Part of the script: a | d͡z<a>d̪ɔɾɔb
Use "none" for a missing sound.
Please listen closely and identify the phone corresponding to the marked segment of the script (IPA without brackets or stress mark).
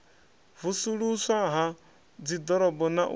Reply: i